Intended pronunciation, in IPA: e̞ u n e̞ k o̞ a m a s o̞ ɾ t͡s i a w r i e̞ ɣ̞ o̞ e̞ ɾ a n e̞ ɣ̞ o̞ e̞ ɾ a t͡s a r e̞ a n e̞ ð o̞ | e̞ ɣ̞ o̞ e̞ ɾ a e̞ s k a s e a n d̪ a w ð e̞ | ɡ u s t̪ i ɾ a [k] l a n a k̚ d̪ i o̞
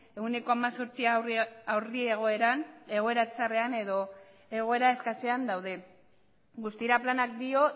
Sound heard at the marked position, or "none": p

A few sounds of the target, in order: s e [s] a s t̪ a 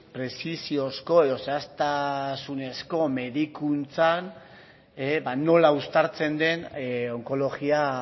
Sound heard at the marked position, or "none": none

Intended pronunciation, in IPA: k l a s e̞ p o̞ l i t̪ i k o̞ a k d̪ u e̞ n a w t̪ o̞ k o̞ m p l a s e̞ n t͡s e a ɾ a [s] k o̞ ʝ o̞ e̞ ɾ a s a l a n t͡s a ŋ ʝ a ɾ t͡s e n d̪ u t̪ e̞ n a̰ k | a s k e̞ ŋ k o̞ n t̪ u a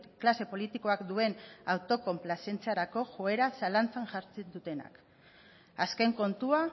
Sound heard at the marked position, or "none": none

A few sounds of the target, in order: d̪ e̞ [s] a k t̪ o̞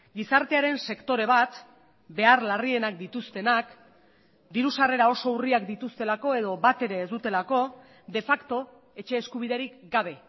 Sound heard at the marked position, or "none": f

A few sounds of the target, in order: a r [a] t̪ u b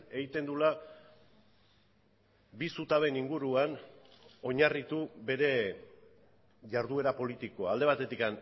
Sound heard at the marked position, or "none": i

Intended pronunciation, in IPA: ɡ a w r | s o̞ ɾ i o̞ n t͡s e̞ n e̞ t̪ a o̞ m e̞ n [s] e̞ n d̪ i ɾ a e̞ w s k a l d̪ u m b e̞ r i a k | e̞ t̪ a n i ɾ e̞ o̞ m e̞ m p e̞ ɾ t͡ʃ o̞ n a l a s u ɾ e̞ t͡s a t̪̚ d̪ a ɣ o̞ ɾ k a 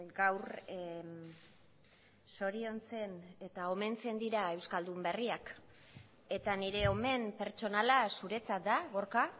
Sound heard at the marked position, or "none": t͡s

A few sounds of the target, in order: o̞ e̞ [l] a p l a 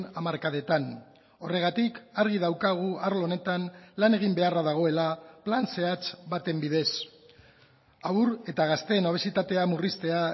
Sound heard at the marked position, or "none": l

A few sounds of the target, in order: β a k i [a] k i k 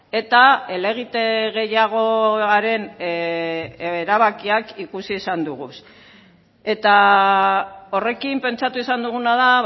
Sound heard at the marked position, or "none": a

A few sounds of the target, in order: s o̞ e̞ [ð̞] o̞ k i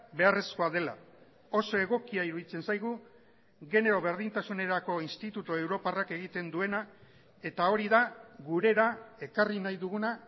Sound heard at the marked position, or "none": ɣ̞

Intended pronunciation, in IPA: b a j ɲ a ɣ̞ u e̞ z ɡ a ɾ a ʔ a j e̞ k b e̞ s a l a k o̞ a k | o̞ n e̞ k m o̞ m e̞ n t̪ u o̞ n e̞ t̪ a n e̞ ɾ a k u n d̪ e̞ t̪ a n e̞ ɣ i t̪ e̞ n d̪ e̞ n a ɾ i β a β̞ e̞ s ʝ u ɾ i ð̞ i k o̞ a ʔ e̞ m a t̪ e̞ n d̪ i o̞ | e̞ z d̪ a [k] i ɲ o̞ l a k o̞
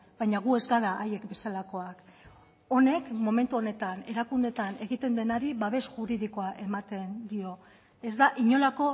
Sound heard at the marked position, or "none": ʔ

